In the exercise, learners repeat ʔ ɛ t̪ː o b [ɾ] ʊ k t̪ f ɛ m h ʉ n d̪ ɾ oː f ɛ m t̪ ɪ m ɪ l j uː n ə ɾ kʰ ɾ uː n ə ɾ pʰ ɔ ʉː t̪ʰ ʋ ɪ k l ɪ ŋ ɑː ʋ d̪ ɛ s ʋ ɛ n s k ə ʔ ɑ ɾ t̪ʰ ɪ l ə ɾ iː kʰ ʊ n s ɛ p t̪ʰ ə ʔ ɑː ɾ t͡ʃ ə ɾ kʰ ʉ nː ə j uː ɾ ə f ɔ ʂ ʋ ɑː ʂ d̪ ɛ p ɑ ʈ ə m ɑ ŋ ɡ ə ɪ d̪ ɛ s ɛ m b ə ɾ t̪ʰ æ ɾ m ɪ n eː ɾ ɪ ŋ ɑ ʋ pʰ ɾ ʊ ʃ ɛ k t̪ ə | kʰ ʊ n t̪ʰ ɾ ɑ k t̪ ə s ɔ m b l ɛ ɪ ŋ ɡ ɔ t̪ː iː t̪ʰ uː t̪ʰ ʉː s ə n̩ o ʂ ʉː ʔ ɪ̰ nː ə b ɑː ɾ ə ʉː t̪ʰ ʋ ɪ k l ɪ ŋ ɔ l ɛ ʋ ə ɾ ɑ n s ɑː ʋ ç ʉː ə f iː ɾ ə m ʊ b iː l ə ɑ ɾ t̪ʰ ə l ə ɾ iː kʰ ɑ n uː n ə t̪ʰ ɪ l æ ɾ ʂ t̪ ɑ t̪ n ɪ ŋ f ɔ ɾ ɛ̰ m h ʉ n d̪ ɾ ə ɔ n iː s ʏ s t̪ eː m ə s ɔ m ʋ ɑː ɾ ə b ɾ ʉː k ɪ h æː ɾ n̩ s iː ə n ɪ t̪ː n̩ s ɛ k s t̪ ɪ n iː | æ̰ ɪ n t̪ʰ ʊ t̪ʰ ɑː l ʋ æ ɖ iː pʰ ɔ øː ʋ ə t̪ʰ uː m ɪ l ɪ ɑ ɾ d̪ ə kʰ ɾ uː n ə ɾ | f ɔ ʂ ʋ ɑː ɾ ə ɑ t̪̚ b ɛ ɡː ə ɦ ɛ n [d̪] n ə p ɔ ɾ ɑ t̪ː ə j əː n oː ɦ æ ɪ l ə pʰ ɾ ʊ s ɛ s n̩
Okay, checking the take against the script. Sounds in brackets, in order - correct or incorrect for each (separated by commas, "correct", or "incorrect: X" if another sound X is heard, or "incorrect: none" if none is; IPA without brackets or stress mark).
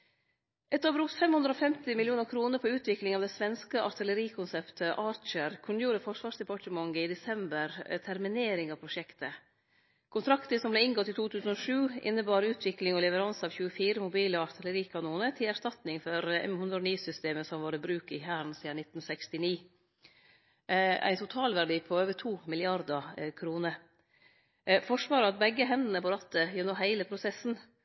correct, correct